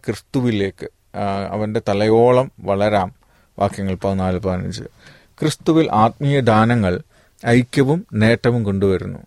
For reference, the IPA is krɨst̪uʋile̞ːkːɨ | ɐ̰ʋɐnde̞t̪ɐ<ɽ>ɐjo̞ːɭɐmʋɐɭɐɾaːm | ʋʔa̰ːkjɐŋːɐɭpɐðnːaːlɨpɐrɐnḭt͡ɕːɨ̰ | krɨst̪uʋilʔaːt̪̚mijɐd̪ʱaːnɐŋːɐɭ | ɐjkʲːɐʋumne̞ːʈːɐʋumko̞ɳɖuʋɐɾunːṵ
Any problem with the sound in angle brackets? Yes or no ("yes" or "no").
yes